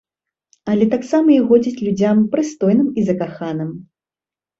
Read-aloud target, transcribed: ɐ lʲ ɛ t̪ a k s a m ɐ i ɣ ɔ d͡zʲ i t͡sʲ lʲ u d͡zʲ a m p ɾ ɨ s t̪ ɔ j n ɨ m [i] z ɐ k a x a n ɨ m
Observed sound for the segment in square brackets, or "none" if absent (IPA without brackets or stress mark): i